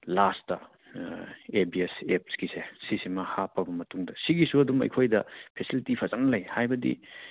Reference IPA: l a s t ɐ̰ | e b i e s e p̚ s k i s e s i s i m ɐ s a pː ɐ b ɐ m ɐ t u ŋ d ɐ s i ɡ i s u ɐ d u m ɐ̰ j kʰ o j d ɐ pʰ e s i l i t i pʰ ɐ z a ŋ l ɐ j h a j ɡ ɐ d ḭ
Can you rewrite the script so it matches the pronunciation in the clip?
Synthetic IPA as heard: l a s t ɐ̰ | e b i e s e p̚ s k i s e s i s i m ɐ h a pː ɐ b ɐ m ɐ t u ŋ d ɐ s i ɡ i s u ɐ d u m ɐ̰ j kʰ o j d ɐ pʰ e s i l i t i pʰ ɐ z a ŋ l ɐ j h a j b ɐ d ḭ